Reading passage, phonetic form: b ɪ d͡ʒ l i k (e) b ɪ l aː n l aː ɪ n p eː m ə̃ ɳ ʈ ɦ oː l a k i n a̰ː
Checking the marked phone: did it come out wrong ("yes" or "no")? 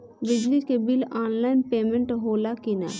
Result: no